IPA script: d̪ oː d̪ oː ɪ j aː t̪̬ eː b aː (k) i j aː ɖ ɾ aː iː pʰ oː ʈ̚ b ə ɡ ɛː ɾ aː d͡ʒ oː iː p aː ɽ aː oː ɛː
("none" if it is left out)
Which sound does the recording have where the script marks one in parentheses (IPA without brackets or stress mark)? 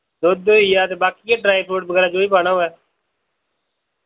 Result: k